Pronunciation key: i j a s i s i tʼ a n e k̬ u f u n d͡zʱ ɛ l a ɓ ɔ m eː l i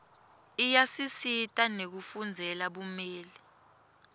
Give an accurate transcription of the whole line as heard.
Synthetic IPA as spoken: i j a s i s i tʼ a n e k̬ u f u n d͡zʱ ɛ l a ɓ u m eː l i